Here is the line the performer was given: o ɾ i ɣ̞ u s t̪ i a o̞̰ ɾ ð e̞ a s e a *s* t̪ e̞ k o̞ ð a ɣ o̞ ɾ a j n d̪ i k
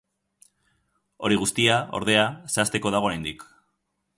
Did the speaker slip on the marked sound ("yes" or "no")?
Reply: no